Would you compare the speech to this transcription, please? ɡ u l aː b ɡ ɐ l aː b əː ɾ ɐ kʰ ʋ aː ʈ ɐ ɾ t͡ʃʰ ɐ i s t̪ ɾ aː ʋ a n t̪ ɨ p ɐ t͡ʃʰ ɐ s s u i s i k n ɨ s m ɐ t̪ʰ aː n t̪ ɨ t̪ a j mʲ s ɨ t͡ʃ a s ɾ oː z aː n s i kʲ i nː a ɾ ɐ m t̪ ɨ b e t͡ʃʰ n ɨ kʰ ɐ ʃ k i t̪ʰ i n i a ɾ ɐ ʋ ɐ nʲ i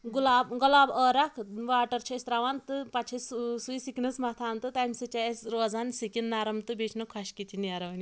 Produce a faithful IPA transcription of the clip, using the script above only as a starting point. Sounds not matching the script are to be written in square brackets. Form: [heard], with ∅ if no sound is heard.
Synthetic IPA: ɡ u l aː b ɡ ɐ l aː b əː ɾ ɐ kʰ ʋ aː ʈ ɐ ɾ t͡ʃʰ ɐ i s t̪ ɾ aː ʋ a n t̪ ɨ p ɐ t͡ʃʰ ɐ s s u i s i k n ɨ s m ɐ t̪ʰ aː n t̪ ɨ t̪ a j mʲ s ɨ t͡ʃ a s ɾ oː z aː n s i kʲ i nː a ɾ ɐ m t̪ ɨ b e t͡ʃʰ n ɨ kʰ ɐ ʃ k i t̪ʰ i n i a ɾ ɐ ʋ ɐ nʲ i